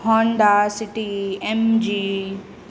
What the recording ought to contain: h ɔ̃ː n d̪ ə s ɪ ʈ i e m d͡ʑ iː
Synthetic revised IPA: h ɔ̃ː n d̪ a s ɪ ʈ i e m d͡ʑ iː